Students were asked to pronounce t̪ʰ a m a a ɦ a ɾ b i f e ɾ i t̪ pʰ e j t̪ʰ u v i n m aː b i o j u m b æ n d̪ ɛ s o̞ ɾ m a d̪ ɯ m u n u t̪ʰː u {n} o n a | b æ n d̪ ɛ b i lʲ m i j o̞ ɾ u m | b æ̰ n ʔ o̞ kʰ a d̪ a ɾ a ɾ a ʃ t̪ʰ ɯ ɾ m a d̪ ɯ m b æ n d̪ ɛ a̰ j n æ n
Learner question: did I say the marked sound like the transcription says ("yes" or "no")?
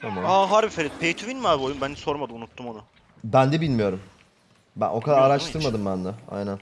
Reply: no